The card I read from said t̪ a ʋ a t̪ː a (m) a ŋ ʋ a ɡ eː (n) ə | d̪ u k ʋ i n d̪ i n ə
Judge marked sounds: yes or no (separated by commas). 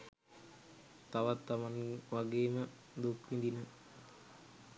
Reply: yes, no